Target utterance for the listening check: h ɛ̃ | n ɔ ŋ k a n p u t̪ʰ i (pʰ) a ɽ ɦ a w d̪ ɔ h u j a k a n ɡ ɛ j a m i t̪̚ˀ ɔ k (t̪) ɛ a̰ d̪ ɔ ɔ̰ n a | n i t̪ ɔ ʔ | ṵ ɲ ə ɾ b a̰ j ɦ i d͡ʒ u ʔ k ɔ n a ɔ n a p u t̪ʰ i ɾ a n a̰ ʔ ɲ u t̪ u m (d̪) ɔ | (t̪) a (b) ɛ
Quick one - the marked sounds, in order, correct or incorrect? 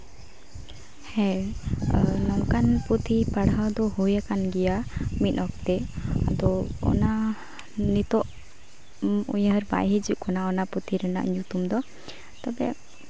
incorrect, correct, correct, correct, correct

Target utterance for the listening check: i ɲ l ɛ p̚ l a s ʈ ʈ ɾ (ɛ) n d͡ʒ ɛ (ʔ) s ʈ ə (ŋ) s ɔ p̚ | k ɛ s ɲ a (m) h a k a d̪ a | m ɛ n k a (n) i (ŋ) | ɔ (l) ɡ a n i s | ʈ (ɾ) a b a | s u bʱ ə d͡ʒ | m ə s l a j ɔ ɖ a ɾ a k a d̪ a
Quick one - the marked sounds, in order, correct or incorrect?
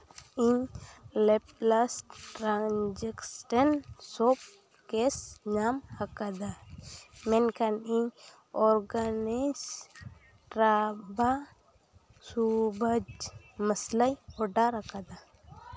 incorrect, incorrect, incorrect, correct, correct, incorrect, incorrect, correct

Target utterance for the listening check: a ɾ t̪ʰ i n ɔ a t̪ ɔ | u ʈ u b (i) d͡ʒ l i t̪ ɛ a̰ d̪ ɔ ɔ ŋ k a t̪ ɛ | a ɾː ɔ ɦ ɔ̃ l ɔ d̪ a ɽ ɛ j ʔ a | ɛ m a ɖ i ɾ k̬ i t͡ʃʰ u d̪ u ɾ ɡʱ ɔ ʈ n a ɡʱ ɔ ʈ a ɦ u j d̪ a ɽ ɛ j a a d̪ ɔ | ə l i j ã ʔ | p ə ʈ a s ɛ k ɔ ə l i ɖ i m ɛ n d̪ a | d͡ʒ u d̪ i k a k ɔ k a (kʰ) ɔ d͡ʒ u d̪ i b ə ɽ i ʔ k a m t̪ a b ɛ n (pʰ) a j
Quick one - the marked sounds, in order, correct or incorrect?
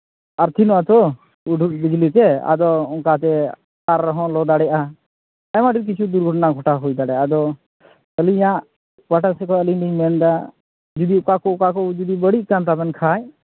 correct, incorrect, incorrect

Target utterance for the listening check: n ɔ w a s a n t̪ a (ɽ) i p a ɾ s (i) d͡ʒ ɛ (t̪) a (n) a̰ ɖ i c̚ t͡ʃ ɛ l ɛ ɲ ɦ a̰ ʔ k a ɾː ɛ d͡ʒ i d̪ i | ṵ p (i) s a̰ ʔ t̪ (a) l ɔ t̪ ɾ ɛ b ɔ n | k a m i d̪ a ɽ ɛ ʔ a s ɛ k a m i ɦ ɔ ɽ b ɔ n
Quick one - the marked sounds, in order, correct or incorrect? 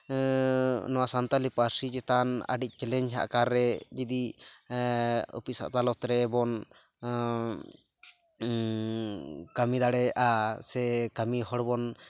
incorrect, correct, correct, correct, correct, correct

